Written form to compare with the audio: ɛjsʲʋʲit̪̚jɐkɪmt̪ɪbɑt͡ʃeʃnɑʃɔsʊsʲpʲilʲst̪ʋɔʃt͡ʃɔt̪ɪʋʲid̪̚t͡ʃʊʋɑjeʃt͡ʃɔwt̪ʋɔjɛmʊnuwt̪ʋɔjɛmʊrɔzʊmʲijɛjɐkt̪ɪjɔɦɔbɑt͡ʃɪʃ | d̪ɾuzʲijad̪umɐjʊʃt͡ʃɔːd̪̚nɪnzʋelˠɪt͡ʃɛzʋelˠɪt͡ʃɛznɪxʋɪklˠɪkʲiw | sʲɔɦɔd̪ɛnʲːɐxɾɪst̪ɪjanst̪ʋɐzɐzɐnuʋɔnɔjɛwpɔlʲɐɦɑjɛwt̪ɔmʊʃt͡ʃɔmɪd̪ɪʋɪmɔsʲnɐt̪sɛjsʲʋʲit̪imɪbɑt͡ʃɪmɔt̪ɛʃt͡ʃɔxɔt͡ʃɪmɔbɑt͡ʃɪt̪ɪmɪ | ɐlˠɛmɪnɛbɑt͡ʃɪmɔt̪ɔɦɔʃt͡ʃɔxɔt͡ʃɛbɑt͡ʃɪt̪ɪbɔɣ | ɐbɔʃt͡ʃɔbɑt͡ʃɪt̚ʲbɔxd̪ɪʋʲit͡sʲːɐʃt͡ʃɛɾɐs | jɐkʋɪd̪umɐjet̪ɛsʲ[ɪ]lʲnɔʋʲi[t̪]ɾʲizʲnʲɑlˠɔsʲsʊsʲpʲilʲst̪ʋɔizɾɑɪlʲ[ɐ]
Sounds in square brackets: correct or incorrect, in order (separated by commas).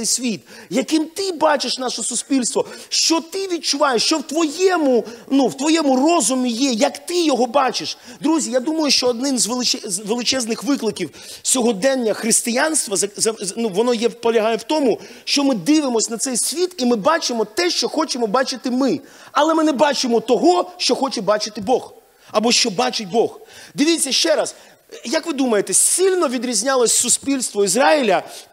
incorrect, incorrect, correct